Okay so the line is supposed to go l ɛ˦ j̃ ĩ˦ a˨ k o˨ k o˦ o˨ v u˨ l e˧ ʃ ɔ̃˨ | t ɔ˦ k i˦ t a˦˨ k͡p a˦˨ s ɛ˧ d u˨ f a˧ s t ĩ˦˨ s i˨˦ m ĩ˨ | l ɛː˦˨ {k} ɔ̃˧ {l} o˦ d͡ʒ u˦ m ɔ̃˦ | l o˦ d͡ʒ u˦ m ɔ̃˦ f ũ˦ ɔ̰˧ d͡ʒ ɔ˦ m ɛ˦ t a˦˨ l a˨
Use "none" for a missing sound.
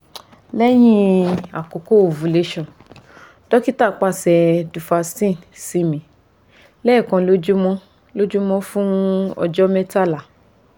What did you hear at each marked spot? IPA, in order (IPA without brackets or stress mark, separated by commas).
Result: k, l